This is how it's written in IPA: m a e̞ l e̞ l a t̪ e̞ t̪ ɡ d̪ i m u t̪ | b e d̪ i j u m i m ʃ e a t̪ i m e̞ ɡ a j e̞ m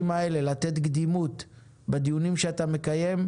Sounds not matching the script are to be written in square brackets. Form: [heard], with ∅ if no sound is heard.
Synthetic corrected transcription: m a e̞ l e̞ l a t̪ e̞ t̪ ɡ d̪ i m u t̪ | b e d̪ i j u [n] i m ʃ e a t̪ [a] m e̞ [k] a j e̞ m